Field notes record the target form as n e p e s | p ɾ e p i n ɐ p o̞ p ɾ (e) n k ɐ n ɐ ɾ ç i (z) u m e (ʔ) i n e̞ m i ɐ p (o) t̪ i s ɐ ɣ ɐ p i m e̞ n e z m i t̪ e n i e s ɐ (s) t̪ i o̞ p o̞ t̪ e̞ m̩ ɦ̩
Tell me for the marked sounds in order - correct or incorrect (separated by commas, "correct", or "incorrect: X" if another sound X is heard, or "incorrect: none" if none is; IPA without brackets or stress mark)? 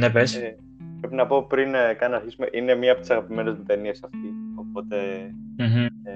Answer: incorrect: i, incorrect: s, correct, correct, incorrect: f